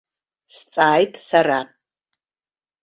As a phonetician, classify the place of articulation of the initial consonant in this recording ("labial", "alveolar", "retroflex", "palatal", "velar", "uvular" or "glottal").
alveolar